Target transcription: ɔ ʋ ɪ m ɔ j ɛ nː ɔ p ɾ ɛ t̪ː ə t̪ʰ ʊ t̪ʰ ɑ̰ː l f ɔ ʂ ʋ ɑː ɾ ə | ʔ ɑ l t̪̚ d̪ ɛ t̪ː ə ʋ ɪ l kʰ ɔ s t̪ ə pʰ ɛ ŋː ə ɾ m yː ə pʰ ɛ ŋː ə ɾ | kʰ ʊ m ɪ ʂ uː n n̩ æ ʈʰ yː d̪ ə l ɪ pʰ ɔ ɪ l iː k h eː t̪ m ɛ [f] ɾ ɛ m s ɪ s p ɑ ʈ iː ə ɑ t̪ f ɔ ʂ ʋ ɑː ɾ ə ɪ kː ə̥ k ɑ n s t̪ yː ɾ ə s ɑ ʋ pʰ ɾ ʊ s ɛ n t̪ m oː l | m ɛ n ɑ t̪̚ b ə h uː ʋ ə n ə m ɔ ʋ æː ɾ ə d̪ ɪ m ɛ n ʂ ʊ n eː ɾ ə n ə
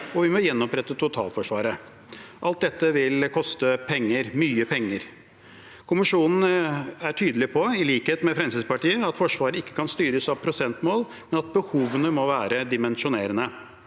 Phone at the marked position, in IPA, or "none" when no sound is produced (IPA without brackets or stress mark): f